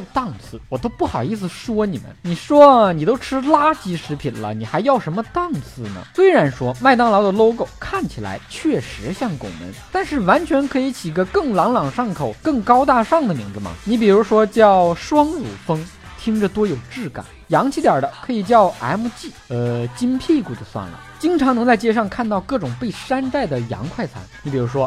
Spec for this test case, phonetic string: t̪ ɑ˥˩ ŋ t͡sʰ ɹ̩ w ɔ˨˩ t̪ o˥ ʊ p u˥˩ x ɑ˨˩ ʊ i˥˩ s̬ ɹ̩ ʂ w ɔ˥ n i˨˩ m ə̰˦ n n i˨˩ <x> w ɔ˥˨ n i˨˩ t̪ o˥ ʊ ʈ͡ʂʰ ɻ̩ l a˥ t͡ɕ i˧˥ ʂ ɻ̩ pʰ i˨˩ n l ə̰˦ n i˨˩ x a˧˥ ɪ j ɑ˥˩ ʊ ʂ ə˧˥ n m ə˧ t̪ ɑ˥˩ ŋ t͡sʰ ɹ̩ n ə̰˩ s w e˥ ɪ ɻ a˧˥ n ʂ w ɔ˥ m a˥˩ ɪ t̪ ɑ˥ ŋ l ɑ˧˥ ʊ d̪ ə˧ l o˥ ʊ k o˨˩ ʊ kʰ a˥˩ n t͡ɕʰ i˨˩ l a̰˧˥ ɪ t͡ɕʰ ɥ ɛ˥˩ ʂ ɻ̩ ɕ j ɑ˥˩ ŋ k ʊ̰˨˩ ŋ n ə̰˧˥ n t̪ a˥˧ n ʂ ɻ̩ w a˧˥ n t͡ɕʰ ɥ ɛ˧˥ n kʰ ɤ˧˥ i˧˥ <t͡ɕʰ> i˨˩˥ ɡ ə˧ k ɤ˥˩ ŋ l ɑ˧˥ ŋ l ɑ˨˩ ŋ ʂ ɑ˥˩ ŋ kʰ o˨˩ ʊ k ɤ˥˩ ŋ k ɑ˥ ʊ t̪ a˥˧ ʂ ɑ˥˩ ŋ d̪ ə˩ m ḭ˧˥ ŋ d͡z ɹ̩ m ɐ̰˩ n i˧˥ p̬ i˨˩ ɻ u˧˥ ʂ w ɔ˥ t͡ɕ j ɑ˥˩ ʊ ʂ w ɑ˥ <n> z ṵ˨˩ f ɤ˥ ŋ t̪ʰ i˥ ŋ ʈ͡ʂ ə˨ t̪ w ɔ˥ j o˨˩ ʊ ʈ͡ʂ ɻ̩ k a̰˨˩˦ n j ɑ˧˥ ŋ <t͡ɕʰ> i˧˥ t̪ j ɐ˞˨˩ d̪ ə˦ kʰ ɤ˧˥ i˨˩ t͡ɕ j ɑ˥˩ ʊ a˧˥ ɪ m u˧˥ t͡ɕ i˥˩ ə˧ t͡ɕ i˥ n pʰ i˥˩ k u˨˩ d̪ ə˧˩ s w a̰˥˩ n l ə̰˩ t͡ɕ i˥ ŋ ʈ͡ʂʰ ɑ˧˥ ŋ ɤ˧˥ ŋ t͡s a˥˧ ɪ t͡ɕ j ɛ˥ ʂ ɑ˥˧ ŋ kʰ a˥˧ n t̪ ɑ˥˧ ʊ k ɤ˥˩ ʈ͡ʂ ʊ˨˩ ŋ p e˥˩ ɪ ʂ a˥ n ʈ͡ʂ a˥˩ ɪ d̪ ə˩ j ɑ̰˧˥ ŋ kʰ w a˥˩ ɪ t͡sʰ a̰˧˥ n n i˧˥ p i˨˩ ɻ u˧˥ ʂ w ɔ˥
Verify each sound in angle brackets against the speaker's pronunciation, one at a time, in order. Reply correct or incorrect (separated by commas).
incorrect, correct, incorrect, correct